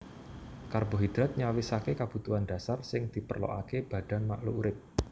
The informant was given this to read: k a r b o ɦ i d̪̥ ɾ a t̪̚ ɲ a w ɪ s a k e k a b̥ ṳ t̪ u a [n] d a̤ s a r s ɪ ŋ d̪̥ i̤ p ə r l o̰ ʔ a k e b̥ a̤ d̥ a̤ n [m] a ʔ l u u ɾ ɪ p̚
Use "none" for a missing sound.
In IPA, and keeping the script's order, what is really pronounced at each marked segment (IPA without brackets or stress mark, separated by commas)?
n, m